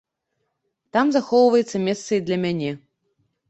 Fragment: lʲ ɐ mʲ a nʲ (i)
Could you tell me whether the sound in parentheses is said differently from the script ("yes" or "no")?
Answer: yes